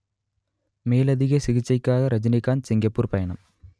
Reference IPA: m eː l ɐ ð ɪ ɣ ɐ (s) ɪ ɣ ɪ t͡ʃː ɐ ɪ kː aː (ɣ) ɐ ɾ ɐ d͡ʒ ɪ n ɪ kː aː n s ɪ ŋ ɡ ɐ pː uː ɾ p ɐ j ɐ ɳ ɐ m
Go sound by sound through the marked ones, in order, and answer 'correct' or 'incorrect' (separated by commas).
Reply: correct, correct